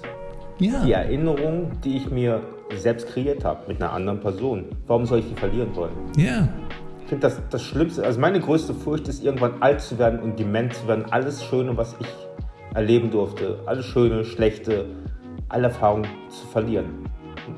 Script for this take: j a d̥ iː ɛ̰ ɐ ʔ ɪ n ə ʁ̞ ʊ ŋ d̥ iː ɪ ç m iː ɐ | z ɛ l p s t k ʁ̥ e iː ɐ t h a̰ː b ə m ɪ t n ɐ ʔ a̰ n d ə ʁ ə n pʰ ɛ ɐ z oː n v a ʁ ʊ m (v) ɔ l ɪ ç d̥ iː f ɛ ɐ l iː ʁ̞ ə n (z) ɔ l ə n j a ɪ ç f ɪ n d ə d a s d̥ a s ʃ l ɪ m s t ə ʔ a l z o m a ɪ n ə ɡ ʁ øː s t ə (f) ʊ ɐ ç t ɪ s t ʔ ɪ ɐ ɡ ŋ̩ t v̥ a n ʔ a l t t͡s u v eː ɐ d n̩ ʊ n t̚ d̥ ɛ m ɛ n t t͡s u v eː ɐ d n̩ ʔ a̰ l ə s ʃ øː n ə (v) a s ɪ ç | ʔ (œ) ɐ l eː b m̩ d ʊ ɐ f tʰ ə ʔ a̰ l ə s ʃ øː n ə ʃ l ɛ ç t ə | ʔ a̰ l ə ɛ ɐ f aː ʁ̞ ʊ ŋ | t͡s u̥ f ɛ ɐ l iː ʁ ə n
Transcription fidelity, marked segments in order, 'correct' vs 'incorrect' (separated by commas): incorrect, incorrect, correct, correct, incorrect